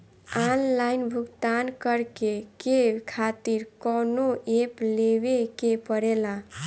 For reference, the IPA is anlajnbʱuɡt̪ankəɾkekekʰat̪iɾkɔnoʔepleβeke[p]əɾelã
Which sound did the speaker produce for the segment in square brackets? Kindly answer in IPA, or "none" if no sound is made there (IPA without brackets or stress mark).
p